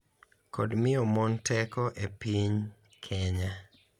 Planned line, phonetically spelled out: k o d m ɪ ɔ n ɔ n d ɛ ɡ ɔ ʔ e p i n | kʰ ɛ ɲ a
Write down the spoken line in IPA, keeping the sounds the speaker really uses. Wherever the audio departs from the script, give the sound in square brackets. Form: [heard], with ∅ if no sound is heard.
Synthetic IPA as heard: k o d m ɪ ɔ [m] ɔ n [t] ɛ [k] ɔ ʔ e p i [ɲ] | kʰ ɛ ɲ a